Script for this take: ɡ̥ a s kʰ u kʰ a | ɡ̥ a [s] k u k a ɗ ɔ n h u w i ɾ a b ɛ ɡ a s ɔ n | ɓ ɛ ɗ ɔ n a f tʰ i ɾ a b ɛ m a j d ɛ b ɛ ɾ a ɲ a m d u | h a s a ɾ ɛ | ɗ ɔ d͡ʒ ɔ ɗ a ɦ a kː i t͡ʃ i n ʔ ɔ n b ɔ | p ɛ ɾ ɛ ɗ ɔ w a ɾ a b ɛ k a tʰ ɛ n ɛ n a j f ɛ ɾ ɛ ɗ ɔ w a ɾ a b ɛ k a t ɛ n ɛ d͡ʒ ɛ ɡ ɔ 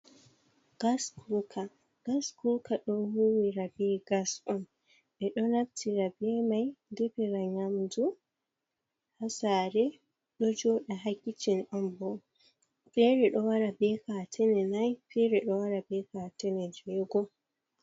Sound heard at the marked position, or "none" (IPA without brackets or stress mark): s